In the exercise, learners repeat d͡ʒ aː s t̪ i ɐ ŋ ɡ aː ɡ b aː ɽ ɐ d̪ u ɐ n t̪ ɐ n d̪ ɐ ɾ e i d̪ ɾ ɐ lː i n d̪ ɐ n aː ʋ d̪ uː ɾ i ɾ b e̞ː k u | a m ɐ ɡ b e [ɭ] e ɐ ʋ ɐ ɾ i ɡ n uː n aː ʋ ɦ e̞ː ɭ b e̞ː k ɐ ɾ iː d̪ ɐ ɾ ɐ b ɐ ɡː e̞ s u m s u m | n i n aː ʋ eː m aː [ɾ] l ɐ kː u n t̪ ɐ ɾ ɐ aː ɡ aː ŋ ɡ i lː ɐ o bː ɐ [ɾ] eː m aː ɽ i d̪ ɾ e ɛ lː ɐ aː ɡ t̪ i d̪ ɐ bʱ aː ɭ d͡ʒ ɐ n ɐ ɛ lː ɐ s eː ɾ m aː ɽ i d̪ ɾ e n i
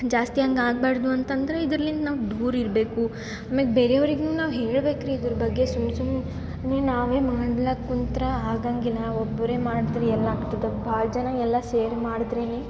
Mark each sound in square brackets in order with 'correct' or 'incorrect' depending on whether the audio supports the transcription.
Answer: incorrect: ɾ, incorrect: ɽ, correct

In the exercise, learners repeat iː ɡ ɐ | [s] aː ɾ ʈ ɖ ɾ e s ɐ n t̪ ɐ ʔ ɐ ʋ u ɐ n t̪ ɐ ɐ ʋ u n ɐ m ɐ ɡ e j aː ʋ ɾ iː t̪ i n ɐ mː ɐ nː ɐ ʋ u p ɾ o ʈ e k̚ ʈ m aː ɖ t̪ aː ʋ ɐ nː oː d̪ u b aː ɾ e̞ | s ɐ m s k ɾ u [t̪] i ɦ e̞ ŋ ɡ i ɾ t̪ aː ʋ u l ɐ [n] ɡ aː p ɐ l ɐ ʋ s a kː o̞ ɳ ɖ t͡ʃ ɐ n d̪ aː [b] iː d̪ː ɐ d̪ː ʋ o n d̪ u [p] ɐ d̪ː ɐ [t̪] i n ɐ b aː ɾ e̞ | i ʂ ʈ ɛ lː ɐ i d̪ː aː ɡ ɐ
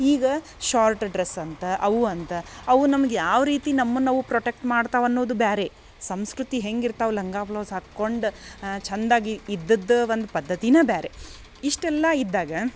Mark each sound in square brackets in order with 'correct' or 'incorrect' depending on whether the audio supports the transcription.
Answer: incorrect: ʃ, correct, incorrect: ŋ, incorrect: ɡ, correct, correct

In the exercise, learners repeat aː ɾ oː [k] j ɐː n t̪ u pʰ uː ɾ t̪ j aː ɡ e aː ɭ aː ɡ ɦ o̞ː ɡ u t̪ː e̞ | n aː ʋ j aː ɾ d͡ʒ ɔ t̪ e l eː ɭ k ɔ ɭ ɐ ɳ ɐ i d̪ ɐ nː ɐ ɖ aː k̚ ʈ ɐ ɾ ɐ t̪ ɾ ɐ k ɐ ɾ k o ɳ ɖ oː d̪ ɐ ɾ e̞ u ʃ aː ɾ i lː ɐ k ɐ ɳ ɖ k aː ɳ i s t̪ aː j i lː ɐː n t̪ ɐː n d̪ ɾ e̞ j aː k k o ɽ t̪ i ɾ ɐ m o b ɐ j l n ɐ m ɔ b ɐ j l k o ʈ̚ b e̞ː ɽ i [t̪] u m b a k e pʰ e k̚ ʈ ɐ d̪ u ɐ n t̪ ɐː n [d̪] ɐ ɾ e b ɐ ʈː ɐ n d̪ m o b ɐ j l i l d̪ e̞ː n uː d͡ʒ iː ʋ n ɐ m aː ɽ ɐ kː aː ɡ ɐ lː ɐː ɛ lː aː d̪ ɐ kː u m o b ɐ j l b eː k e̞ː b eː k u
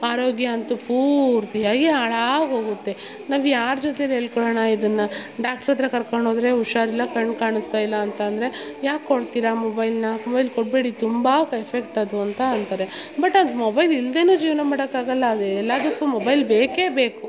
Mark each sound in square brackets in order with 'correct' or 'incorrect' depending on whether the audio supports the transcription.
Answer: incorrect: ɡ, correct, incorrect: t̪

